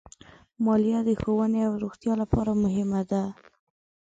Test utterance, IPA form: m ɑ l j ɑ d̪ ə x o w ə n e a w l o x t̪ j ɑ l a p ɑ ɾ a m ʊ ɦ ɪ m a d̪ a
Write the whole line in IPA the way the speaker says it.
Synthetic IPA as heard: m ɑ l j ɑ d̪ ə x o w ə n e a w ɾ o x t̪ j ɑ l a p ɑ ɾ a m ʊ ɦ ɪ m a d̪ a